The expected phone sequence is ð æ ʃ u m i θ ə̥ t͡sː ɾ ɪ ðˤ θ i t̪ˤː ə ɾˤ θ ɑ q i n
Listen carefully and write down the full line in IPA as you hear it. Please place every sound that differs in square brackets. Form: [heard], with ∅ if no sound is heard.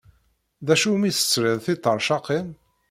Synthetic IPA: ð æ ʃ u m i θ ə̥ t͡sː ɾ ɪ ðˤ θ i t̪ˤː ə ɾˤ [ʃ] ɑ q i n

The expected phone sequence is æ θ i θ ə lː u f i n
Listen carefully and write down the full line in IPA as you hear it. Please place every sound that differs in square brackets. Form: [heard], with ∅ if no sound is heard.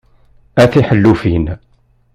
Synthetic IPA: æ θ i [ħ] ə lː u f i n

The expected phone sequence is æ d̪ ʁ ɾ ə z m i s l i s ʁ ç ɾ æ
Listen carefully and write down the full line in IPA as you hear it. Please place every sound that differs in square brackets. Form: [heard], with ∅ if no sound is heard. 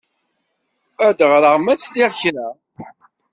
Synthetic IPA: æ d̪ ʁ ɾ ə [ʁ] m [æ] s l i [∅] ʁ ç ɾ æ

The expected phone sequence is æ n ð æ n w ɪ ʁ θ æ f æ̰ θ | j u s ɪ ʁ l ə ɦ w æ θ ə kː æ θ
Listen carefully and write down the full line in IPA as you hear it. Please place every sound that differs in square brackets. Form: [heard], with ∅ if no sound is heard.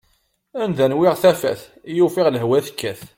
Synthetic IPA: æ n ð æ n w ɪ ʁ θ æ f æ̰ θ | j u [f] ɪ ʁ l ə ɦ w æ θ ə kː æ θ

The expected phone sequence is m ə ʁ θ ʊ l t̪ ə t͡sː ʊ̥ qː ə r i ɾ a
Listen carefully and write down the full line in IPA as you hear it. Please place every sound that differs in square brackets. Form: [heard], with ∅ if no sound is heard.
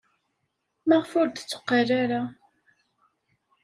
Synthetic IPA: m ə ʁ [f] ʊ [ɾ] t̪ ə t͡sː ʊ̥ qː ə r [a] ɾ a

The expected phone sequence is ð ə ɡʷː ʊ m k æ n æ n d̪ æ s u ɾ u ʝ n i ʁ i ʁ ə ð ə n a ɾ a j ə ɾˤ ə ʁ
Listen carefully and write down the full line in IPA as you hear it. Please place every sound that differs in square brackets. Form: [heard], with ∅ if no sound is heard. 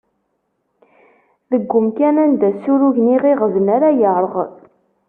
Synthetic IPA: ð ə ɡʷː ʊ m k æ n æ n d̪ æ s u ɾ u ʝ n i ʁ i ʁ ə [v] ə n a ɾ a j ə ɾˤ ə ʁ

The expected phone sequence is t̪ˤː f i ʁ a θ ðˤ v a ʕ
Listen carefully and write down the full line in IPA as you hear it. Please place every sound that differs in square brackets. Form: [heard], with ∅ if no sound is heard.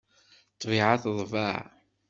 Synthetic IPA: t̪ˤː [v] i [ʕ] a θ ðˤ v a ʕ

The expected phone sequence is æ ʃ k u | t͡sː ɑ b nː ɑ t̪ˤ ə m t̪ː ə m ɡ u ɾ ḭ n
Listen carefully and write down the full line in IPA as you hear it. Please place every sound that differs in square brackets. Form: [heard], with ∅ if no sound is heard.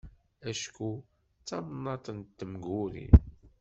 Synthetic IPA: æ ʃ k u | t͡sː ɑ [m] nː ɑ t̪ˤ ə [n] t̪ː ə m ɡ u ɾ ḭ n

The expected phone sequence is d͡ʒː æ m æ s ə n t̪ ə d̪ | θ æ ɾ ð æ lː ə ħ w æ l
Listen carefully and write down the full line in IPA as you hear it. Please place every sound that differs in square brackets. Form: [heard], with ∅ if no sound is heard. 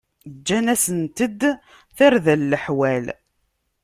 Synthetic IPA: d͡ʒː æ [n] æ s ə n t̪ ə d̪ | θ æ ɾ ð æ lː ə ħ w æ l

